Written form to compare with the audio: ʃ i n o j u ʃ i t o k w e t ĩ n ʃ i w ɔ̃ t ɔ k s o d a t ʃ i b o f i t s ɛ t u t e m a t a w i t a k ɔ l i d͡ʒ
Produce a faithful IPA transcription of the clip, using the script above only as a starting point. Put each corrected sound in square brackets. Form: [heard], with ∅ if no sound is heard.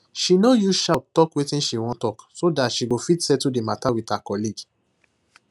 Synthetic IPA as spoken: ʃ i n o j u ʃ [a] t [ɔ] k w e t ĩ n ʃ i w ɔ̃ t ɔ k s o d a t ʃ i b o f i t s ɛ t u [d] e m a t a w i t a k ɔ l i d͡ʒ